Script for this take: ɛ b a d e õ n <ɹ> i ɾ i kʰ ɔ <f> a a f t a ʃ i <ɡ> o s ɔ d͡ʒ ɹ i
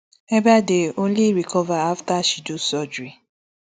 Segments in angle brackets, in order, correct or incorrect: incorrect: l, incorrect: v, incorrect: d

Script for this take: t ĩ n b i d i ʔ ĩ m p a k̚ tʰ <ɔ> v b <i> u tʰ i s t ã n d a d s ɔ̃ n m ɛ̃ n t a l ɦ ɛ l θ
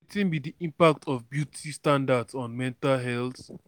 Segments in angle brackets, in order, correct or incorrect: correct, incorrect: j

